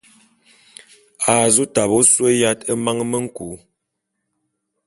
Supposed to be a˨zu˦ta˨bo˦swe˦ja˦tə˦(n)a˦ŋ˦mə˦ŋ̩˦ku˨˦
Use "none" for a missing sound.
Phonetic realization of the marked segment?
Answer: m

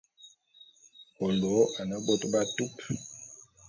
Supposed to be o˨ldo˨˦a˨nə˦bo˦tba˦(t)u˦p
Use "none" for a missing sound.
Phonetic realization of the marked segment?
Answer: t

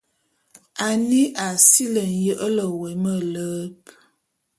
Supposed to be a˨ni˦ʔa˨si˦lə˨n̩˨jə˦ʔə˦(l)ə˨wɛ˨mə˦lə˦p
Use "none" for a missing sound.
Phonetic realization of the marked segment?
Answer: l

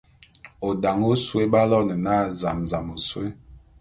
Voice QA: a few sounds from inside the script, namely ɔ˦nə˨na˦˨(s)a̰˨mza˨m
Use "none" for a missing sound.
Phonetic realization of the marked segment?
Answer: z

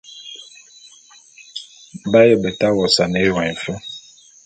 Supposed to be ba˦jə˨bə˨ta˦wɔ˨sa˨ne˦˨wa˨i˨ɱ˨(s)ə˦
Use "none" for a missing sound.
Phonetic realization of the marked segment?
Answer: f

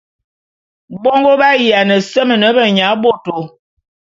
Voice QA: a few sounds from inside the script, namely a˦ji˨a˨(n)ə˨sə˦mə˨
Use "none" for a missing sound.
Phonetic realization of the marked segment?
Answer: n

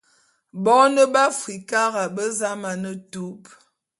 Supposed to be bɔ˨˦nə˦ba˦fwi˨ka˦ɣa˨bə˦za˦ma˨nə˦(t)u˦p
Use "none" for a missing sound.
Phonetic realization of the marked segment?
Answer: t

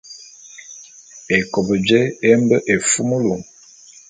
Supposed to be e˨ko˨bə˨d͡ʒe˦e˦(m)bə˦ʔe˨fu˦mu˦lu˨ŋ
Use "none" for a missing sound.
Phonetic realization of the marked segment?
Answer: m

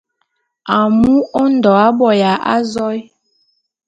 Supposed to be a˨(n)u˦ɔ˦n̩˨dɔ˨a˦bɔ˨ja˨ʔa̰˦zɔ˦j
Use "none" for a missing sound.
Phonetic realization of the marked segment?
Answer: m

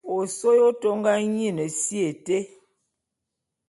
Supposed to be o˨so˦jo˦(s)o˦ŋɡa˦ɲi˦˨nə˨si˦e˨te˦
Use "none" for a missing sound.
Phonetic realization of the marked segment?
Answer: t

